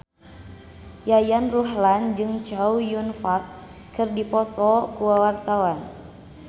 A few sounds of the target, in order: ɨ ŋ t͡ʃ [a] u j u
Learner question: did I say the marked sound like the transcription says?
yes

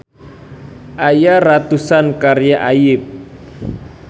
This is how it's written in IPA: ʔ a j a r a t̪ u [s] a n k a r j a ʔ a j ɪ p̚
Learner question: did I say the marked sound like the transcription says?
yes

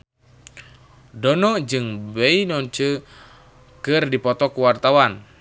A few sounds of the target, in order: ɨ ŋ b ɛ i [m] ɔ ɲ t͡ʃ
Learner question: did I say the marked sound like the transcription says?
no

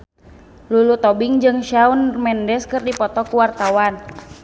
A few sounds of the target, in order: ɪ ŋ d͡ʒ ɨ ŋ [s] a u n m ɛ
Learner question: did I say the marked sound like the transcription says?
no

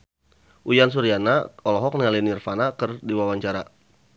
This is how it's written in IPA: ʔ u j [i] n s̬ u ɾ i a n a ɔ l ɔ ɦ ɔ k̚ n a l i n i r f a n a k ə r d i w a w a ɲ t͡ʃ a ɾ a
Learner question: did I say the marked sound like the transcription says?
no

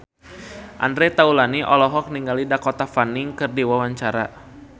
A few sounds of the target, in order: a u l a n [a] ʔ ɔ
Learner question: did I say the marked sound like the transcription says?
no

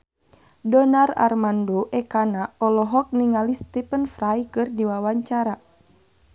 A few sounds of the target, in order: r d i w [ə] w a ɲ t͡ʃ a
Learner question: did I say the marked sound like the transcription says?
no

